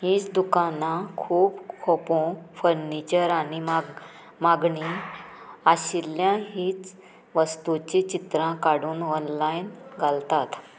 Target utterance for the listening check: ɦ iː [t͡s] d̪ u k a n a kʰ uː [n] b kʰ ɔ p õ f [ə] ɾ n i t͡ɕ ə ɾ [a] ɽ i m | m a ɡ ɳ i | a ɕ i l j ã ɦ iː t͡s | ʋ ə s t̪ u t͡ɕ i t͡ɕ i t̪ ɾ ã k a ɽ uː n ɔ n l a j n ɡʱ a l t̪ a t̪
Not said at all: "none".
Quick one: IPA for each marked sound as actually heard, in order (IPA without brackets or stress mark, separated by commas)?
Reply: t͡s, none, ə, a